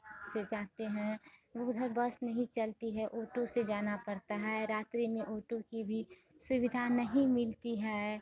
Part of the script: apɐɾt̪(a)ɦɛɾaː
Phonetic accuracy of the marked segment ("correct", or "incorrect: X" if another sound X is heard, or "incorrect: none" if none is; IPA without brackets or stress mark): correct